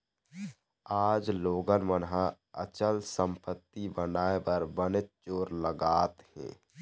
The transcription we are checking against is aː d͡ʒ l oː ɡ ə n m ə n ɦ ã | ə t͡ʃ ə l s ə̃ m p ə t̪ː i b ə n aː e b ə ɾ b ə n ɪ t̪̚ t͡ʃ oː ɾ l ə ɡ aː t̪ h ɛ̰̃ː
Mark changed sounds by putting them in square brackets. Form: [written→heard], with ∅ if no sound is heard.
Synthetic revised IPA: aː d͡ʒ l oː ɡ ə n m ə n ɦ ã | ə t͡ʃ ə l s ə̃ m p ə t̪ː i b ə n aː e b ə ɾ b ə n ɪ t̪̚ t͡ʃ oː ɾ l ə ɡ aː t̪ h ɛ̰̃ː